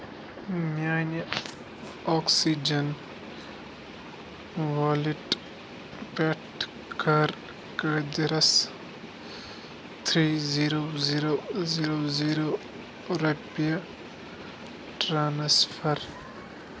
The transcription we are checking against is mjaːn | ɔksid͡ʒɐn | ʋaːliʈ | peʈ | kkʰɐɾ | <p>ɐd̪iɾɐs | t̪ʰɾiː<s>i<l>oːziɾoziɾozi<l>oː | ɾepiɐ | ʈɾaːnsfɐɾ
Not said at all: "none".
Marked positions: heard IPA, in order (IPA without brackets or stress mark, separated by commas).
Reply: k, z, ɾ, ɾ